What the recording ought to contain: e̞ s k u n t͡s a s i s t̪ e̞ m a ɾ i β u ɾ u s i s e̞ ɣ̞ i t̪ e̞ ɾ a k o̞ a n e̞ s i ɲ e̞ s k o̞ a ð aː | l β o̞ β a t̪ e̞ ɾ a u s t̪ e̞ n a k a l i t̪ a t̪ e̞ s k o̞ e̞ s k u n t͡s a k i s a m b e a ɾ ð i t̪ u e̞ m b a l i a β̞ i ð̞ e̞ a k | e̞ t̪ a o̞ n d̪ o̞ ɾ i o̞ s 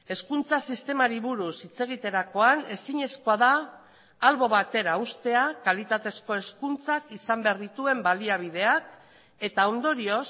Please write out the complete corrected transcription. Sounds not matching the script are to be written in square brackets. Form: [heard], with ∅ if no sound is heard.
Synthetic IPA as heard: e̞ s k u n t͡s a s i s t̪ e̞ m a ɾ i β u ɾ u s i [t͡s] e̞ ɣ̞ i t̪ e̞ ɾ a k o̞ a n e̞ s i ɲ e̞ s k o̞ a ð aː | l β o̞ β a t̪ e̞ ɾ a u s t̪ e̞ [∅] a k a l i t̪ a t̪ e̞ s k o̞ e̞ s k u n t͡s a k i s a m b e a ɾ ð i t̪ u e̞ m b a l i a β̞ i ð̞ e̞ a k | e̞ t̪ a o̞ n d̪ o̞ ɾ i o̞ s

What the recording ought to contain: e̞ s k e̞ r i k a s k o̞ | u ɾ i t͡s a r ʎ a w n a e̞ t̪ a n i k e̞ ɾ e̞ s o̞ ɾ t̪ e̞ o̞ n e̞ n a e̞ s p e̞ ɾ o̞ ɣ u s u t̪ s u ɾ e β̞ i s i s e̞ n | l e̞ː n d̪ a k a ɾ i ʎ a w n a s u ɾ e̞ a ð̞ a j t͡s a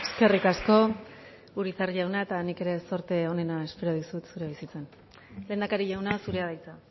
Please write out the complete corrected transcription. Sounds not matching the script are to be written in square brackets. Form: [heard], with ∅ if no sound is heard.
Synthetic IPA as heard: e̞ s k e̞ r i k a s k o̞ | u ɾ i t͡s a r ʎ a w n a e̞ t̪ a n i k e̞ ɾ e̞ s o̞ ɾ t̪ e̞ o̞ n e̞ n a e̞ s p e̞ ɾ o̞ [ð] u s u t̪ s u ɾ e β̞ i s i [t͡s] e̞ n | l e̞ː n d̪ a k a ɾ i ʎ a w n a s u ɾ e̞ a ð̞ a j t͡s a

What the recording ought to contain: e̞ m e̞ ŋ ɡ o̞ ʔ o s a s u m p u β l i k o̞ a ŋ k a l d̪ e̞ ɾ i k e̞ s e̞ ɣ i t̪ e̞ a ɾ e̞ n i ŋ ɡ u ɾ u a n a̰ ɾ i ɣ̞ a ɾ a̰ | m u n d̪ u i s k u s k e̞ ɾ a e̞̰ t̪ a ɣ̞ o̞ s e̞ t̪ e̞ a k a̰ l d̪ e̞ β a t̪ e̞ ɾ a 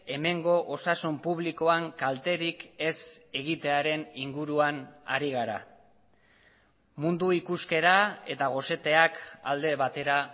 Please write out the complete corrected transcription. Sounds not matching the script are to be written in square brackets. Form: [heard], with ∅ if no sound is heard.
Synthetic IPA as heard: e̞ m e̞ ŋ ɡ o̞ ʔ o s a s u m p u β l i k o̞ a ŋ k a l [t̪] e̞ ɾ i k e̞ s e̞ ɣ i t̪ e̞ a ɾ e̞ n i ŋ ɡ u ɾ u a n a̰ ɾ i ɣ̞ a ɾ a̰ | m u n d̪ u i [∅] k u s k e̞ ɾ a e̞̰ t̪ a ɣ̞ o̞ s e̞ t̪ e̞ a k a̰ l d̪ e̞ β a t̪ e̞ ɾ a

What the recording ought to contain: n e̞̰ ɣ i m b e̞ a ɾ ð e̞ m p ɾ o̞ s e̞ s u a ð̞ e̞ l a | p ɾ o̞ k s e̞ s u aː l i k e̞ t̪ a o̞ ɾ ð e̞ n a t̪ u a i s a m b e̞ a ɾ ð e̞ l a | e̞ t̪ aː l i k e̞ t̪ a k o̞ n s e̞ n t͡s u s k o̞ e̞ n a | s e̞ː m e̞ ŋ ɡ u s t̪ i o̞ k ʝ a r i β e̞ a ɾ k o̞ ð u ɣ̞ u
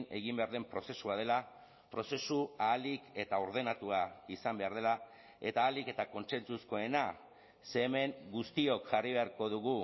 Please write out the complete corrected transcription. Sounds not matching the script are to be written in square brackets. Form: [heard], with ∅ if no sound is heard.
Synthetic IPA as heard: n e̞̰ ɣ i m b e̞ a ɾ ð e̞ m p ɾ o̞ s e̞ s u a ð̞ e̞ l a | p ɾ o̞ [∅] s e̞ s u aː l i k e̞ t̪ a o̞ ɾ ð e̞ n a t̪ u a i s a m b e̞ a ɾ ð e̞ l a | e̞ t̪ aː l i k e̞ t̪ a k o̞ n s e̞ n t͡s u s k o̞ e̞ n a | s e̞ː m e̞ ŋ ɡ u s t̪ i o̞ k ʝ a r i β e̞ a ɾ k o̞ ð u ɣ̞ u

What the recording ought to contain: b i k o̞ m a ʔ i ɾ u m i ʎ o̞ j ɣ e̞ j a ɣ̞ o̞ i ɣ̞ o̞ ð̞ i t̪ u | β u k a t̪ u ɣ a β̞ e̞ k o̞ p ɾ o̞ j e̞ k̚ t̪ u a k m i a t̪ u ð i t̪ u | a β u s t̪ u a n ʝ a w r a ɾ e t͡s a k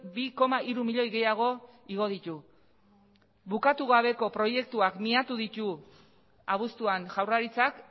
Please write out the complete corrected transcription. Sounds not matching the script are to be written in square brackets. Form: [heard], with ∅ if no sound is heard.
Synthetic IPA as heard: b i k o̞ m a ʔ i ɾ u m i ʎ o̞ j ɣ e̞ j a ɣ̞ o̞ i ɣ̞ o̞ ð̞ i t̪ u | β u k a t̪ u ɣ a β̞ e̞ k o̞ p ɾ o̞ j e̞ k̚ t̪ u a k m i a t̪ u ð i t̪ u | a β u s t̪ u a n ʝ a w r a ɾ [i] t͡s a k

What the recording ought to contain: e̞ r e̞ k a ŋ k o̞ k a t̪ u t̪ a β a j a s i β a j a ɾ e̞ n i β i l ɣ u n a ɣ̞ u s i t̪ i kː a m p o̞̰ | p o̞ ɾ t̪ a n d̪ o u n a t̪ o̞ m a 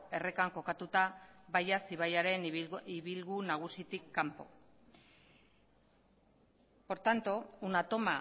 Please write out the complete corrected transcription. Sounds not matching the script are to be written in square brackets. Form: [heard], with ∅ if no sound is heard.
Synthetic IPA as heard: e̞ r e̞ k a ŋ k o̞ k a t̪ u t̪ a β a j a s i β a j a ɾ e̞ n i β i l ɣ u n a ɣ̞ u s i t̪ i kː a m p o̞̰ | p o̞ ɾ t̪ a n [t̪] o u n a t̪ o̞ m a

